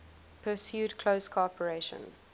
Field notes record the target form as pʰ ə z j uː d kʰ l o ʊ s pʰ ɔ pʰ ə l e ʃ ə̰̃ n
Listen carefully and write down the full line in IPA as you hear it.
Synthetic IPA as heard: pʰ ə s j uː d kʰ l o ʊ s kʰ ɔ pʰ ə ɹ e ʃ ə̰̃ n